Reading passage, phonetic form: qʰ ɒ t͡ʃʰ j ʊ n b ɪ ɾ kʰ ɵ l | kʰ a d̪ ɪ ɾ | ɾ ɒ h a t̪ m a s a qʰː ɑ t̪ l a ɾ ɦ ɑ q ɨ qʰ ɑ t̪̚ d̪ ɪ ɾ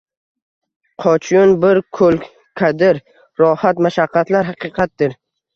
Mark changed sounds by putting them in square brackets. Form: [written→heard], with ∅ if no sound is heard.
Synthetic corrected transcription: qʰ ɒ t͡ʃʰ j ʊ n b ɪ ɾ kʰ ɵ l | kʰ a d̪ ɪ ɾ | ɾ ɒ h a t̪ m a [s→ʃ] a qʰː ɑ t̪ l a ɾ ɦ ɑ q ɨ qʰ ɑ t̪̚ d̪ ɪ ɾ